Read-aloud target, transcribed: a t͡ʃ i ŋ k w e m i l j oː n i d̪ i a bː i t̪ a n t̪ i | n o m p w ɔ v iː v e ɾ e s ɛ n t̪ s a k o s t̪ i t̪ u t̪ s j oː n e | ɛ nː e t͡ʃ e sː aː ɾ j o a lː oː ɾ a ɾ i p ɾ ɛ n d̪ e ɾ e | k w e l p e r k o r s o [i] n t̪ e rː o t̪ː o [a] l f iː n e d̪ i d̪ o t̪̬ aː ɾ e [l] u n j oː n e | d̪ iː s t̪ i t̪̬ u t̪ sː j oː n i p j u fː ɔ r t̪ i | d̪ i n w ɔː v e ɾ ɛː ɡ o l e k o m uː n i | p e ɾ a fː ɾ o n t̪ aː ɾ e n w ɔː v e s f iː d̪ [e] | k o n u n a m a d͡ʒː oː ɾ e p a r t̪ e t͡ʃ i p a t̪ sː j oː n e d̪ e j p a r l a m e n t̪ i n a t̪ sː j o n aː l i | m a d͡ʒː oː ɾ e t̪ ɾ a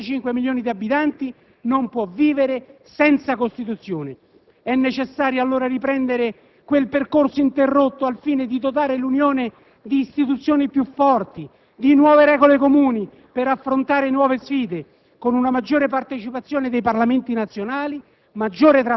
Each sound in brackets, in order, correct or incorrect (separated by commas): correct, correct, correct, correct